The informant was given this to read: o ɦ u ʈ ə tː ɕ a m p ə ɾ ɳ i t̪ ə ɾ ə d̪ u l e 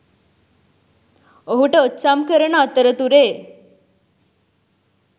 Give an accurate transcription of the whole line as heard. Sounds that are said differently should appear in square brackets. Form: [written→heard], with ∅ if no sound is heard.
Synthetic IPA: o ɦ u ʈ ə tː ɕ a m [p→k] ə ɾ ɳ [i→a] t̪ ə ɾ ə [d̪→t̪] u [l→ɾ] e